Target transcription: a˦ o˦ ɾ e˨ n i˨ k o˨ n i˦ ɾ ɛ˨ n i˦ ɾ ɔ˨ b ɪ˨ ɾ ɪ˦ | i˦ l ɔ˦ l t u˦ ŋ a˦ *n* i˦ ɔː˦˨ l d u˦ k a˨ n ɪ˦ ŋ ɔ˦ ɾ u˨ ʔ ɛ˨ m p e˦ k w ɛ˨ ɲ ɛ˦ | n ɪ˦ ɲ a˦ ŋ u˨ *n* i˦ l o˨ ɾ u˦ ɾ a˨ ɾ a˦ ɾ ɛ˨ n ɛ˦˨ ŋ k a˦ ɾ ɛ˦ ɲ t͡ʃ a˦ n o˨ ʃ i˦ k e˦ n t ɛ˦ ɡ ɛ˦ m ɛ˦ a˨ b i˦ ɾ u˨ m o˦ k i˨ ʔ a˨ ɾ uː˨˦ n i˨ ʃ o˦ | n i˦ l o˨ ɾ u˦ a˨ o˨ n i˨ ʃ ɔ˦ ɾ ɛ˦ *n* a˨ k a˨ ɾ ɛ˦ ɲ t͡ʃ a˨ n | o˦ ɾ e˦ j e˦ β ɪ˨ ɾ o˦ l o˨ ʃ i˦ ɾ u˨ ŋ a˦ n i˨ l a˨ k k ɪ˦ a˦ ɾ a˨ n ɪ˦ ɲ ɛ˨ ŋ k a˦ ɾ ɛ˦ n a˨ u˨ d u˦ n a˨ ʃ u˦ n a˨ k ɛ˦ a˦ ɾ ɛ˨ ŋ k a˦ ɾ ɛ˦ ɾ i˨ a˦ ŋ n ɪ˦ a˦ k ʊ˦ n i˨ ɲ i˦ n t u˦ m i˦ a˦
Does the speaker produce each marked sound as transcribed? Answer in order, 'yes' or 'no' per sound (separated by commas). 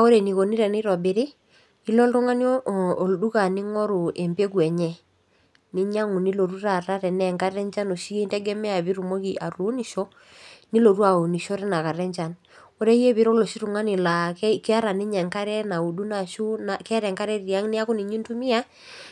yes, yes, yes